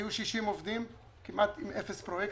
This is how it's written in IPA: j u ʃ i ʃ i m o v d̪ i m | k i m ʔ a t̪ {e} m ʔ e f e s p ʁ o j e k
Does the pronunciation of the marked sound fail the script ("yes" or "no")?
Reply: yes